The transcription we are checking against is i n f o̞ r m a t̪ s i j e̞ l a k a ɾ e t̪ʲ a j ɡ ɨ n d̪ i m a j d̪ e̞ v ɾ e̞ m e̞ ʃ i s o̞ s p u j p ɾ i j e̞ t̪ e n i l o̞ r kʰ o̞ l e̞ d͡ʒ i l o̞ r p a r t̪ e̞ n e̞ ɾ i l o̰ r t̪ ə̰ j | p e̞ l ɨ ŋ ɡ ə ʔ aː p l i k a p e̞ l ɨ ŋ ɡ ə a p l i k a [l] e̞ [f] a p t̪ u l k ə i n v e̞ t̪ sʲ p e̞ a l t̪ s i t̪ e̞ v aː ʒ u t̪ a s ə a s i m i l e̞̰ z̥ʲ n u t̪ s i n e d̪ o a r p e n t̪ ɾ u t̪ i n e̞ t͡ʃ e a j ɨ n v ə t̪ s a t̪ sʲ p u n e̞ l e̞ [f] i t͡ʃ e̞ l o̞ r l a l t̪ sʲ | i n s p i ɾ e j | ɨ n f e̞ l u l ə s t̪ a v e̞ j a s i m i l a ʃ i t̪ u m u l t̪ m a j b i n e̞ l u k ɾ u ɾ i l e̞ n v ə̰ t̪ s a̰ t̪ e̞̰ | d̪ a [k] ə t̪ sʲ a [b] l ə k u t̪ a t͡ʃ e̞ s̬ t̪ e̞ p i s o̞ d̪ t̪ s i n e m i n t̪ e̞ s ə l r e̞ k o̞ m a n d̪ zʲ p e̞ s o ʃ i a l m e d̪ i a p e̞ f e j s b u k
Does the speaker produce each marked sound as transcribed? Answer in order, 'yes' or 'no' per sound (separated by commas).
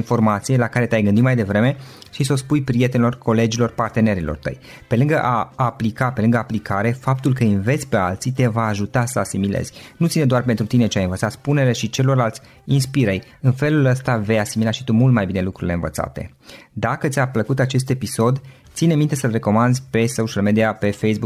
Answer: no, yes, no, yes, no